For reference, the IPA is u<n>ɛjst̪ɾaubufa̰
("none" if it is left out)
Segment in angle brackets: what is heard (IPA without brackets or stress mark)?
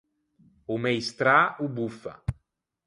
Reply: m